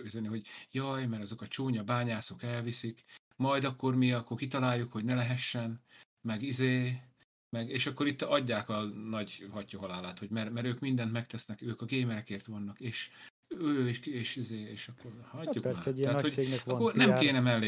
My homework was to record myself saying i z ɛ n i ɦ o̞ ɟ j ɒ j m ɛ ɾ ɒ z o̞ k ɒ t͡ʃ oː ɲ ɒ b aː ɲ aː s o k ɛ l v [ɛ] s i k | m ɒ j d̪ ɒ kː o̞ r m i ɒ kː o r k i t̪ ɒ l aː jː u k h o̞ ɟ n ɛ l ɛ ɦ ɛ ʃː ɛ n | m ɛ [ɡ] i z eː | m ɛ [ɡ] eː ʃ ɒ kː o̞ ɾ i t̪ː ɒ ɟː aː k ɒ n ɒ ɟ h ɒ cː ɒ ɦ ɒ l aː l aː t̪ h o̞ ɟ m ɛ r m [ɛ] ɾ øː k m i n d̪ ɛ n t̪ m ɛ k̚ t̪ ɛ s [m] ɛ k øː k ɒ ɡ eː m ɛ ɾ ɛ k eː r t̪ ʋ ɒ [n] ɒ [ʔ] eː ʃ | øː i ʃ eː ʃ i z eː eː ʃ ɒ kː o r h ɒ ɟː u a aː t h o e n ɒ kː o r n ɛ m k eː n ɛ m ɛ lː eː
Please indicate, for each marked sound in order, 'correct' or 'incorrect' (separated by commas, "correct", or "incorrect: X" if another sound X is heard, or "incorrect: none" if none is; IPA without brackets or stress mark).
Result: incorrect: i, correct, correct, correct, incorrect: n, incorrect: nː, incorrect: k